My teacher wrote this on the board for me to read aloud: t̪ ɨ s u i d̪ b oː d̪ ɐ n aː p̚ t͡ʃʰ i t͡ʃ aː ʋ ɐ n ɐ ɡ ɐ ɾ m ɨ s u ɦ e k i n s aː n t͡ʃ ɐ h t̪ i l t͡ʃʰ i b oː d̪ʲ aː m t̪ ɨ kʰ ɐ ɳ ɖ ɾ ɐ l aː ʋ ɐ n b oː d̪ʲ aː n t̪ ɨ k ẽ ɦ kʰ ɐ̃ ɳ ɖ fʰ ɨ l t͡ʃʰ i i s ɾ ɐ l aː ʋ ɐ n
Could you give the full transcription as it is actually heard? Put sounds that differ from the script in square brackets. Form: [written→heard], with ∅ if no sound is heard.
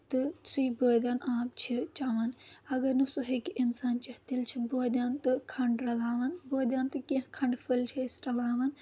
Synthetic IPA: t̪ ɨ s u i [d̪→∅] b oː d̪ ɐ n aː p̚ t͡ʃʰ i t͡ʃ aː ʋ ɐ n ɐ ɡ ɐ ɾ [m→n] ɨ s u ɦ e k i n s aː n t͡ʃ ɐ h t̪ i l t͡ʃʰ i b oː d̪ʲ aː [m→n] t̪ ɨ kʰ ɐ ɳ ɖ ɾ ɐ l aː ʋ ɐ n b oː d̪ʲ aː n t̪ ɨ k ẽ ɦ kʰ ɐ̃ ɳ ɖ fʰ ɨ l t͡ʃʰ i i s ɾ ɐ l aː ʋ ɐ n